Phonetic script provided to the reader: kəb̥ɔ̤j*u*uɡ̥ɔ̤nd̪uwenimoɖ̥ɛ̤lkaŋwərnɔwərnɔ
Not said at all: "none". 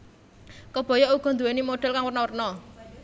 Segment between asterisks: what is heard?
ɔ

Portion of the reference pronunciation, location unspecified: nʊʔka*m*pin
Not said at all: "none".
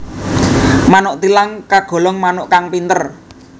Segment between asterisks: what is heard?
ŋ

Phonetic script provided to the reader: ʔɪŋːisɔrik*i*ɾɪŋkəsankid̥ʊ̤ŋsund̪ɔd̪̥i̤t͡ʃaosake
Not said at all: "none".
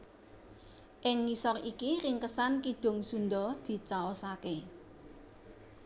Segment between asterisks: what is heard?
i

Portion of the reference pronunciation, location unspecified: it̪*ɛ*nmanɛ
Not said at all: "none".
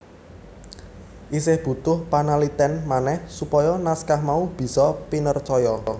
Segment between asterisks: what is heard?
ɛ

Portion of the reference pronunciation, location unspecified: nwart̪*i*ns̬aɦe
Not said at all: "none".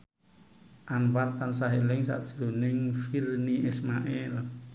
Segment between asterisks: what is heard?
a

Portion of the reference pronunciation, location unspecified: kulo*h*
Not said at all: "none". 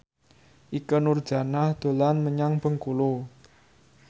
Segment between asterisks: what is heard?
none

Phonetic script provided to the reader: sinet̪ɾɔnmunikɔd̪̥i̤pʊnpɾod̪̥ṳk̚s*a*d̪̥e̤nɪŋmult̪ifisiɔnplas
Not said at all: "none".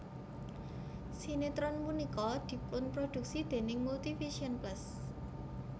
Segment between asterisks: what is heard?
i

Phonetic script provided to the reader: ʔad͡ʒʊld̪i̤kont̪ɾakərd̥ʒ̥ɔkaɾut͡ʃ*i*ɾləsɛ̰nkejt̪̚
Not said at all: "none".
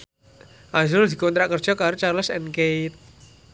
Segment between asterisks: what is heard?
a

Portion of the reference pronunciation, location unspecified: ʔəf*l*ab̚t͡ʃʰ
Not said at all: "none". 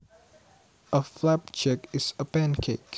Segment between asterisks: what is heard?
l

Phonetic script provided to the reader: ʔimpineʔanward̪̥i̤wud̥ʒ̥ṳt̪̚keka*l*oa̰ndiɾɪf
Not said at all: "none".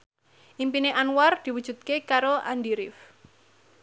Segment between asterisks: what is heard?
ɾ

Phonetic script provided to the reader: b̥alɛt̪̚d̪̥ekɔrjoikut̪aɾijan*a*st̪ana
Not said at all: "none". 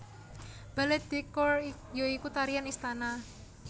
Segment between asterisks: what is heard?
i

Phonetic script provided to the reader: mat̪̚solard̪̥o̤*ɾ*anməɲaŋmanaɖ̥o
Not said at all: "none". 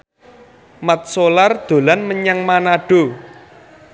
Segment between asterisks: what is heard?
l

